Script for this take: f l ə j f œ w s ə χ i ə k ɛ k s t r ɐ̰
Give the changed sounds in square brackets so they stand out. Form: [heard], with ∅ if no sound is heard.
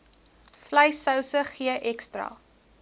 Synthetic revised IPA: f l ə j [s] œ w s ə χ i ə [ʔ] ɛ k s t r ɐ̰

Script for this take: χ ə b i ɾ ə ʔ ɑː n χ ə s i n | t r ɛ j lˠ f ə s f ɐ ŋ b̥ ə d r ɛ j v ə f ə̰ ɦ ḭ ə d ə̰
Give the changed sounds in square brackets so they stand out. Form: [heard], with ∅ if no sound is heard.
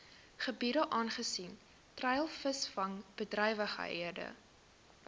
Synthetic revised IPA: χ ə b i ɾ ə ʔ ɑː n χ ə s i n | t r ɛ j lˠ f ə s f ɐ ŋ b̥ ə d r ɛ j v ə [χ] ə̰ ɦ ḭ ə d ə̰

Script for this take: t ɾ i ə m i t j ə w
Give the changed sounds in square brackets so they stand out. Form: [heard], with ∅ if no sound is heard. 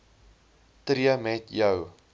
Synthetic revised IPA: t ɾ i ə m [ɛ] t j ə w

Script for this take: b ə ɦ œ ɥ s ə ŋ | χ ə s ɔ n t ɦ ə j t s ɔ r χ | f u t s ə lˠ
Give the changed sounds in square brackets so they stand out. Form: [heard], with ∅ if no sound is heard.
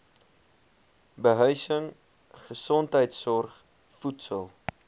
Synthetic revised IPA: b ə ɦ œ ɥ s ə ŋ | χ ə s ɔ n t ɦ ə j t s ɔ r χ | f u t s ə lˠ

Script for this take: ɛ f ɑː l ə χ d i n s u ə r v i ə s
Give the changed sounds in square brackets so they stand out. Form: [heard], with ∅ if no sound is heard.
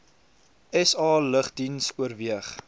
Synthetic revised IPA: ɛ [s] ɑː l ə χ d i n s u ə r v i ə [χ]

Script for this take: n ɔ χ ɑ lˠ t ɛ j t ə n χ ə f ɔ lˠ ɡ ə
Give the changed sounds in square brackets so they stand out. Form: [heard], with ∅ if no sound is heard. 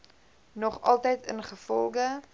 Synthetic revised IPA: n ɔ χ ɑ lˠ t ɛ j t ə n χ ə f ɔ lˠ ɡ ə

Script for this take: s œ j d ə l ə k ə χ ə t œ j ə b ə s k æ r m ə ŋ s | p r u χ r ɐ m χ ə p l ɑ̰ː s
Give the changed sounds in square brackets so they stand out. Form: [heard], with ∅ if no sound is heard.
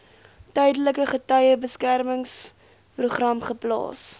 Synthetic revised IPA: [t] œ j d ə l ə k ə χ ə t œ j ə b ə s k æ r m ə ŋ s | p r u χ r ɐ m χ ə p l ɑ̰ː s

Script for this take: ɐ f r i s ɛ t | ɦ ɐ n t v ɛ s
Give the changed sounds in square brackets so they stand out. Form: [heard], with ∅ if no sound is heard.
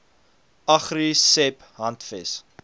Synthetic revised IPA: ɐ [χ] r i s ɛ [p] | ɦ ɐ n t [f] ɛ s

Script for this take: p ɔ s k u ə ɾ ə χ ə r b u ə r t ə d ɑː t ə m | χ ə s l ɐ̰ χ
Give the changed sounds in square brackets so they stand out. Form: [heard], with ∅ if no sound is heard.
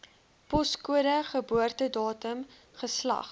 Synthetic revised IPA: p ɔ s k u ə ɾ ə χ ə [∅] b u ə r t ə d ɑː t ə m | χ ə s l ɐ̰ χ

